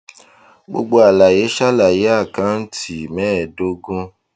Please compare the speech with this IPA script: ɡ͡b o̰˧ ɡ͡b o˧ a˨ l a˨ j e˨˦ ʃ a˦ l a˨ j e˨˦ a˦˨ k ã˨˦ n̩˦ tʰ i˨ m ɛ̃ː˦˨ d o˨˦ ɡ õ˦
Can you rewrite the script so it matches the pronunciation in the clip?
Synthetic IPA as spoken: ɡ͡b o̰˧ ɡ͡b o˧ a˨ l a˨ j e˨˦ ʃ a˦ l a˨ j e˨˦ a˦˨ k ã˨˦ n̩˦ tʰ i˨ m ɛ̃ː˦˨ d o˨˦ ɡ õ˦